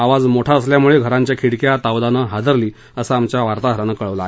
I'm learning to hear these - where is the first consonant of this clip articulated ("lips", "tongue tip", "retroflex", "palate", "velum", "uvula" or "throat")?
lips